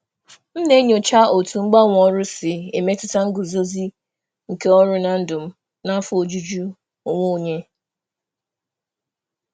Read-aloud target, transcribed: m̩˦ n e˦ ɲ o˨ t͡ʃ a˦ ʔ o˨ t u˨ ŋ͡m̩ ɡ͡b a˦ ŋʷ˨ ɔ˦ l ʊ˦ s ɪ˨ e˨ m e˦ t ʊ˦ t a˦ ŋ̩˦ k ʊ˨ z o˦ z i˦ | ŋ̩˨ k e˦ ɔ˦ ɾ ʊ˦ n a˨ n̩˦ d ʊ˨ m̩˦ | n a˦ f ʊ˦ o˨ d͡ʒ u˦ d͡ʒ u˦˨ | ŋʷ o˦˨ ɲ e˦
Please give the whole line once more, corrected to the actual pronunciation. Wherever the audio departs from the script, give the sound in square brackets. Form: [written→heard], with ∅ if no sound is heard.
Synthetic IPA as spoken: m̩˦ n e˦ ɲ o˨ t͡ʃ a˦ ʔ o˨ t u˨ ŋ͡m̩ ɡ͡b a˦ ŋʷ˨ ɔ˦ [l→ɾ] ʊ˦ s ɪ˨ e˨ m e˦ t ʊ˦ t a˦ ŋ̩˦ [k→ɡ] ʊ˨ z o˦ z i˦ | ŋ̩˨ k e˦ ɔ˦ ɾ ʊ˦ n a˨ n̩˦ d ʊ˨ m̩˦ | n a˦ f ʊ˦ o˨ d͡ʒ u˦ d͡ʒ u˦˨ | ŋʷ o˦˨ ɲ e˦